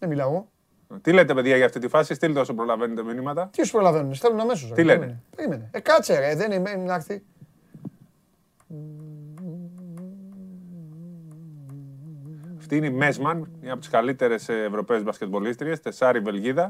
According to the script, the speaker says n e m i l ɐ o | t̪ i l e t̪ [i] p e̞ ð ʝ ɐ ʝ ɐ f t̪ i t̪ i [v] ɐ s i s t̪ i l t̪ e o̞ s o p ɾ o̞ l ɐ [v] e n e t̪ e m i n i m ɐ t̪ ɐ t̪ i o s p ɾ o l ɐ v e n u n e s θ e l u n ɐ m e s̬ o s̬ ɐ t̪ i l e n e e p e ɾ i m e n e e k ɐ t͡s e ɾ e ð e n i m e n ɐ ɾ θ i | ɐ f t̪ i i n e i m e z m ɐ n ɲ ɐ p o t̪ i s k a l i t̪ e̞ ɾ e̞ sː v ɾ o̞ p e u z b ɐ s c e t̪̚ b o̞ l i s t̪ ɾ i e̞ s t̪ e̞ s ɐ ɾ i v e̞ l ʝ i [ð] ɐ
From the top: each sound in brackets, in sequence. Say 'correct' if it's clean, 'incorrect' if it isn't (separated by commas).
incorrect, incorrect, correct, correct